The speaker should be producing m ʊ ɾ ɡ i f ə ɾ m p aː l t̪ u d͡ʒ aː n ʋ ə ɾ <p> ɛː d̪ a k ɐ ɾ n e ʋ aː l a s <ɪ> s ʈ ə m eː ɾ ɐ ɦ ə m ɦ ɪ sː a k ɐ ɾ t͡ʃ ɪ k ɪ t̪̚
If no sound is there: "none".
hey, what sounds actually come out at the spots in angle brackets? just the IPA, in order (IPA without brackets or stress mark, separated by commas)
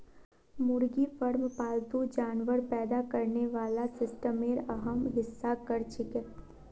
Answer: p, ɪ